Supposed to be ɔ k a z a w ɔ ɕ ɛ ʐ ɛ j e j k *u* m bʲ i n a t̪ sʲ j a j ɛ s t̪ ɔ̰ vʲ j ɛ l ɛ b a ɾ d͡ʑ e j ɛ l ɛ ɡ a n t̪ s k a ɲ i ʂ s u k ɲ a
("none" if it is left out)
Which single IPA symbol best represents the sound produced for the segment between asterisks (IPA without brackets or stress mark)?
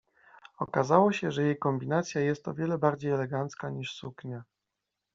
ɔ